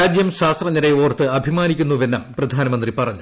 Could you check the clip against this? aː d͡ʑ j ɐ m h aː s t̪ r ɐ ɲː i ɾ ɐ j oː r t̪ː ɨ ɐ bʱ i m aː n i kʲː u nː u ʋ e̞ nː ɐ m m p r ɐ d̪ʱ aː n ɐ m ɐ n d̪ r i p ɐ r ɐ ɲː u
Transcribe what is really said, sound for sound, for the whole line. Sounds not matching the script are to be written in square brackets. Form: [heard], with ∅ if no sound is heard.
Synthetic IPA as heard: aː d͡ʑ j ɐ m [ɕ] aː s t̪ r ɐ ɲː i ɾ ɐ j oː r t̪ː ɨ ɐ bʱ i m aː n i kʲː u nː u ʋ e̞ nː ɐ m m p r ɐ d̪ʱ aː n ɐ m ɐ n d̪ r i p ɐ r ɐ ɲː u